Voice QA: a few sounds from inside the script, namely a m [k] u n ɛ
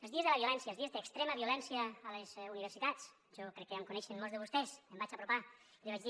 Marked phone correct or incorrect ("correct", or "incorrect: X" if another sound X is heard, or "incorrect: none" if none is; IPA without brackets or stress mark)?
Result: correct